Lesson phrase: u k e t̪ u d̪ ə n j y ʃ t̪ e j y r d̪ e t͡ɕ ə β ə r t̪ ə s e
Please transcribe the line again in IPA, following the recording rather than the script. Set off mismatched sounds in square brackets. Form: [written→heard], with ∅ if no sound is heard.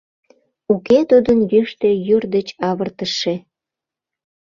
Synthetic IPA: u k e t̪ u d̪ ə n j y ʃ t̪ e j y r d̪ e t͡ɕ [ə→ɑ] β ə r t̪ ə [s→ʃ] e